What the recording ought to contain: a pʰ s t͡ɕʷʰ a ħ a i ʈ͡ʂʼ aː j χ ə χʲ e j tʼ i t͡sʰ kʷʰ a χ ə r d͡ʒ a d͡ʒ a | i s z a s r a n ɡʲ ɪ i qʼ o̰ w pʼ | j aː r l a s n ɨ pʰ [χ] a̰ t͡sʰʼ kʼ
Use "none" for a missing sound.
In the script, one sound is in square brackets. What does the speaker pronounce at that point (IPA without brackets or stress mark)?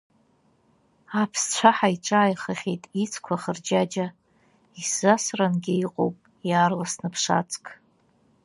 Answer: ʂ